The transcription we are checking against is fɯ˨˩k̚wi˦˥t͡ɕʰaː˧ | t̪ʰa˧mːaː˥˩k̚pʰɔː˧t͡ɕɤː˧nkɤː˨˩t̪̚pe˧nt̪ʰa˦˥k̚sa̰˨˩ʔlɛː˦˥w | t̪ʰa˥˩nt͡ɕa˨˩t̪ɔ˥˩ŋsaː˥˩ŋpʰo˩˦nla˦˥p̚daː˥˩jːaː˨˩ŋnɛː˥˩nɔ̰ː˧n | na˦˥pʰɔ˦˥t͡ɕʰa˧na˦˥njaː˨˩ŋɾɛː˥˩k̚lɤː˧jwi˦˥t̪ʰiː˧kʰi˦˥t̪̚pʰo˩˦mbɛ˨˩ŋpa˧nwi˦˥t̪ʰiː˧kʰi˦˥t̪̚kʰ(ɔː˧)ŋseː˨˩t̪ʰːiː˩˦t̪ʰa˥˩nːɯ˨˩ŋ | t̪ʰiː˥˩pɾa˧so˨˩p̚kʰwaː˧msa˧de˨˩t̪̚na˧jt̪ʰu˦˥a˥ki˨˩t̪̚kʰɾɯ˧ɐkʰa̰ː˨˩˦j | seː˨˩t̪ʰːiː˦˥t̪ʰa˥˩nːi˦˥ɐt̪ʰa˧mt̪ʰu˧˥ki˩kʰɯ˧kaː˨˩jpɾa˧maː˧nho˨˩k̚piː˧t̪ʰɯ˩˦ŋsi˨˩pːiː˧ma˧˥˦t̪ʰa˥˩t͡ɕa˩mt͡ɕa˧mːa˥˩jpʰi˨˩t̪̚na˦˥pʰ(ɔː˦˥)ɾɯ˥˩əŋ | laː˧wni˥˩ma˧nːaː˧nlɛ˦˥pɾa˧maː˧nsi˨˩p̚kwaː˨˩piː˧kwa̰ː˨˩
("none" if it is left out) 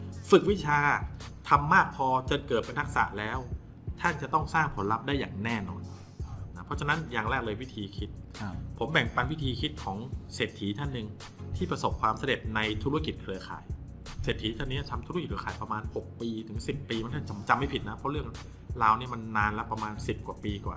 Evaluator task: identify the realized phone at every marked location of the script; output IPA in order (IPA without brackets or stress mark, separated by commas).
ɔː˩˦, ɔ˦˥